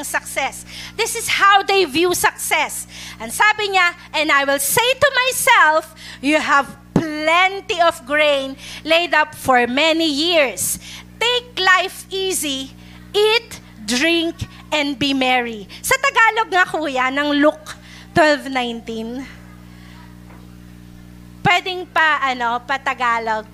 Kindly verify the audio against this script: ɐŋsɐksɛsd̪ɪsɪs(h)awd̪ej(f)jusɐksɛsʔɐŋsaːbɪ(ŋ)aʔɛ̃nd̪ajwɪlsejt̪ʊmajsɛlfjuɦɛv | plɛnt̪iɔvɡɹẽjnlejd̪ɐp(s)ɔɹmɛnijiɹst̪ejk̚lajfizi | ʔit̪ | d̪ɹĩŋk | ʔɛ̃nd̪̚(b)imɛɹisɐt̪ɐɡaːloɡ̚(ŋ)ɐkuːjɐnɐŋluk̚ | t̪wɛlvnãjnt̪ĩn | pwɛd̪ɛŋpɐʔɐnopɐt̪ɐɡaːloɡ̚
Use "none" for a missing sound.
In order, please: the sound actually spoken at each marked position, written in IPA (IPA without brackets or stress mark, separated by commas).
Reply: h, v, ɲ, f, b, ŋ